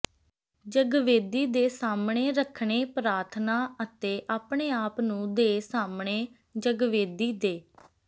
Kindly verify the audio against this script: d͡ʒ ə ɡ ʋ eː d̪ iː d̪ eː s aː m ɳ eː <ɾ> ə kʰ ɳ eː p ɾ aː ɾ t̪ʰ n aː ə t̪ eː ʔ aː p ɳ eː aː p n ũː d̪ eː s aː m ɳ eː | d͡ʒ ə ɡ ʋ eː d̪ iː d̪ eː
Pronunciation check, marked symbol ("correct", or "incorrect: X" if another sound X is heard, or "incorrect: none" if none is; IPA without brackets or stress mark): correct